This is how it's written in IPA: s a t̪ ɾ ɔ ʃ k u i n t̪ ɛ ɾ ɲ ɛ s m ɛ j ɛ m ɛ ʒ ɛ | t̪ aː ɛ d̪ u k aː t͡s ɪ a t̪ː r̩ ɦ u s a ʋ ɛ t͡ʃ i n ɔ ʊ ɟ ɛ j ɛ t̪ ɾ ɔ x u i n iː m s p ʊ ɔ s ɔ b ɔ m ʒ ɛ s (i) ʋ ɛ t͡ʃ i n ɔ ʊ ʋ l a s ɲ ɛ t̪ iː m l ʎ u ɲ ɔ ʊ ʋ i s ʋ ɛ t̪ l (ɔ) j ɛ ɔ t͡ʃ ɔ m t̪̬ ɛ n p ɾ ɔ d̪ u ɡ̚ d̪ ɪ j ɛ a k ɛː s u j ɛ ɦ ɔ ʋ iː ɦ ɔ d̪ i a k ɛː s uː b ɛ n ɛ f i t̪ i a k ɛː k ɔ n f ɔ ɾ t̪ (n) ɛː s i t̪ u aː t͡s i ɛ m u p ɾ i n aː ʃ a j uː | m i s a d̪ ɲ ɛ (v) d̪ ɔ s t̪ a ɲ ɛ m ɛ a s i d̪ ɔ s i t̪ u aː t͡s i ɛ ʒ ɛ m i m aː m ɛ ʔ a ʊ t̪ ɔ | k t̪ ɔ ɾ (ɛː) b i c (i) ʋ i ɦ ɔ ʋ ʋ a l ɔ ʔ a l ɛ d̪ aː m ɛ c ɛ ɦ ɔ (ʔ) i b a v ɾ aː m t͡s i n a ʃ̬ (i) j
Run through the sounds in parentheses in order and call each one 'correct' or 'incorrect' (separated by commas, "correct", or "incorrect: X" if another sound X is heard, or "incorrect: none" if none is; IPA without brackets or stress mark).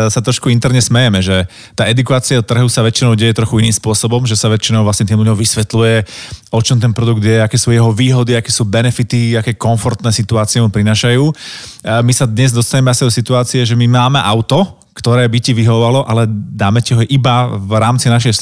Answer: incorrect: a, incorrect: u, correct, incorrect: z, correct, correct, correct, incorrect: ɛ